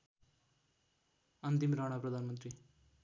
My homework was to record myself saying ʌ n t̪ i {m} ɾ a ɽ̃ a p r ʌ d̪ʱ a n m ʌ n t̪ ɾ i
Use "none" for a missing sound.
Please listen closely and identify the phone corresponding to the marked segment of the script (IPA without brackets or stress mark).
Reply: m